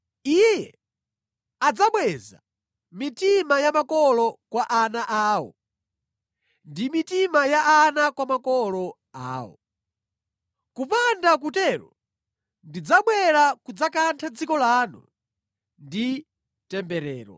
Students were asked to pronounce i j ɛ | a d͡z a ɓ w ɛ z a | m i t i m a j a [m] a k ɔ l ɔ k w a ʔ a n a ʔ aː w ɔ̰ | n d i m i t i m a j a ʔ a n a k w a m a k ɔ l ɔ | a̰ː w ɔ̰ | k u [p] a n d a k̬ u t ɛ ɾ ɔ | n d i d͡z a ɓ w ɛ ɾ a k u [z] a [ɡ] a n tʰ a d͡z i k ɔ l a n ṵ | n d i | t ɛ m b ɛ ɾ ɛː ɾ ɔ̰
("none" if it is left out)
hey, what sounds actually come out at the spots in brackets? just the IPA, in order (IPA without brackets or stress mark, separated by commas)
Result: m, p, d͡z, k